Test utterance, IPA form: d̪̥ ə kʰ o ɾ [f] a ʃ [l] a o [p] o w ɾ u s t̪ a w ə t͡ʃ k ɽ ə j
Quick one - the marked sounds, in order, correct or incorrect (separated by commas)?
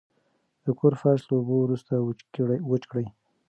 correct, correct, incorrect